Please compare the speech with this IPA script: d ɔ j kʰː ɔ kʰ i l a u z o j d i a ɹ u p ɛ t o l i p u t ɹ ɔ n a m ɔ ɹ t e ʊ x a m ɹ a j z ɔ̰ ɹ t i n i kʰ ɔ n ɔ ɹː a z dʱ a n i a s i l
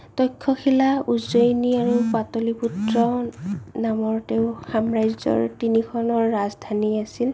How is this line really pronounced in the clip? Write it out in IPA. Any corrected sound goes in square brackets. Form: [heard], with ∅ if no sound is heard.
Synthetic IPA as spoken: [t] ɔ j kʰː ɔ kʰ i l a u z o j [n] i a ɹ u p [a] t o l i p u t ɹ ɔ n a m ɔ ɹ t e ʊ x a m ɹ a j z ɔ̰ ɹ t i n i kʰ ɔ n ɔ ɹː a z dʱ a n i a s i l